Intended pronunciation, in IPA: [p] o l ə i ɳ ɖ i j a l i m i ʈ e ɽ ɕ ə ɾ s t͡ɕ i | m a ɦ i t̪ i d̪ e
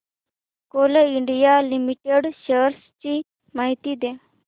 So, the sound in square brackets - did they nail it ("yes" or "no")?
no